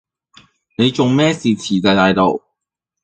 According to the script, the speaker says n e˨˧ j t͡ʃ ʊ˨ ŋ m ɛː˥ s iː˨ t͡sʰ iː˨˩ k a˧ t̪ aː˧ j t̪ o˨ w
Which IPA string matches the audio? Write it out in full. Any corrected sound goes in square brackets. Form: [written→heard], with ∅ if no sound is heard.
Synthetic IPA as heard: n e˨˧ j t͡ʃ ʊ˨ ŋ m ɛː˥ s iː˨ t͡sʰ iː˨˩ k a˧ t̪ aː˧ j t̪ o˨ w